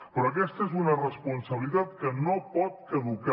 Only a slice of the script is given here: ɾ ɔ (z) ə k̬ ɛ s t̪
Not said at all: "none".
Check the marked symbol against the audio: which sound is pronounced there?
none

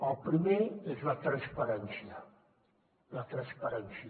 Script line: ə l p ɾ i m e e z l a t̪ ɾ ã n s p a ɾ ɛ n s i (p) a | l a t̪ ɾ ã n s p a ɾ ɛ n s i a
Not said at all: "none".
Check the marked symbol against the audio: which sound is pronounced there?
none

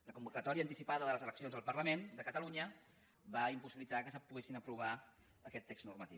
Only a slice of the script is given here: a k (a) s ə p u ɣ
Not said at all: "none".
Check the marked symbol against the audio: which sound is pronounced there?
ə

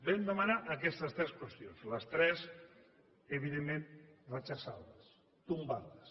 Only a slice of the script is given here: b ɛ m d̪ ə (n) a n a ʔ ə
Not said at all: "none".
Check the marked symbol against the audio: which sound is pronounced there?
m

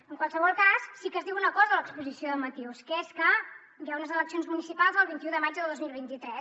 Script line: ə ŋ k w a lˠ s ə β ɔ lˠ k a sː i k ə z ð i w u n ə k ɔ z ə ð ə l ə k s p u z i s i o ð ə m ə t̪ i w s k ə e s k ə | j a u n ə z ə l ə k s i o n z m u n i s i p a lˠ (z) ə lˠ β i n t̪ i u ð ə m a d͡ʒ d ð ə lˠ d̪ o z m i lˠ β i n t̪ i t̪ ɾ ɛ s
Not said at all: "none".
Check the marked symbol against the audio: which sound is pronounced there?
z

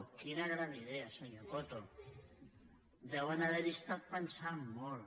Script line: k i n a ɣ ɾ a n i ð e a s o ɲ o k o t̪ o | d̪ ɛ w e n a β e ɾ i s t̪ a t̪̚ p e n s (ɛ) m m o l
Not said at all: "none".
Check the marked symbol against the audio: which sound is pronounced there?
a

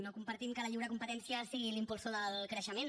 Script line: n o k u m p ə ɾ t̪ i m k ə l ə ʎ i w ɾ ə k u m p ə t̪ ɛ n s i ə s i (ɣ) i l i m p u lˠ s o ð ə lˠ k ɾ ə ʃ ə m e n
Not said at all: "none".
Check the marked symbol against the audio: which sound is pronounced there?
ɣ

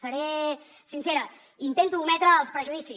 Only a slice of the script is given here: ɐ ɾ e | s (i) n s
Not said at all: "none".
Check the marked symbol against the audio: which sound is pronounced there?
i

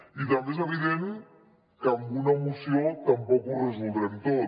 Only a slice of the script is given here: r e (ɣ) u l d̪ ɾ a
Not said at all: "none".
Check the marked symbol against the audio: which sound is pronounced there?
z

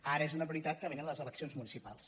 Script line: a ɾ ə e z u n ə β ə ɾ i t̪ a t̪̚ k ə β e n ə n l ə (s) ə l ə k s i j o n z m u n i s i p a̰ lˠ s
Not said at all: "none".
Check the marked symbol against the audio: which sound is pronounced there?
z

